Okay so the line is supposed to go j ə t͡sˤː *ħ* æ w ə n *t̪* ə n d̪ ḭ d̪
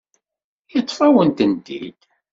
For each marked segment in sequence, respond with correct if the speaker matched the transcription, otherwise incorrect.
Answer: incorrect, correct

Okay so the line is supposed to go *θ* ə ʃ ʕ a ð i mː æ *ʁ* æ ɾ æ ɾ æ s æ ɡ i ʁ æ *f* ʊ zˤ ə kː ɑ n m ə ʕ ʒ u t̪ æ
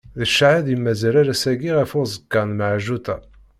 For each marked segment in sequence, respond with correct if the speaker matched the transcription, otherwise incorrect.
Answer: incorrect, incorrect, correct

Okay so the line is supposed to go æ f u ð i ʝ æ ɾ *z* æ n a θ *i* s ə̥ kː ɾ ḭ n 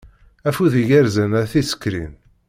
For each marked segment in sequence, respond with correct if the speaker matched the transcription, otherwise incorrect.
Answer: correct, correct

